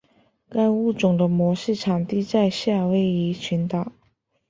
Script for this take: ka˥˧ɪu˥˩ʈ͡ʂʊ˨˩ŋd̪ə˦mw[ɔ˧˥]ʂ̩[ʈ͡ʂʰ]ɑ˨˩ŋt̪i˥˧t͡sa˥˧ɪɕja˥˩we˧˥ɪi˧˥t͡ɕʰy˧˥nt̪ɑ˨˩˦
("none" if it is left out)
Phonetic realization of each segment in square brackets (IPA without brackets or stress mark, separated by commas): ɔ˧˥, ʈ͡ʂʰ